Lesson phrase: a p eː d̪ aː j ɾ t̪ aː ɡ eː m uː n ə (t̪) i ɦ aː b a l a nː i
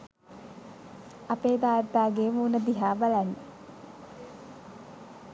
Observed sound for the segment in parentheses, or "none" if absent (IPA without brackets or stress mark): d̪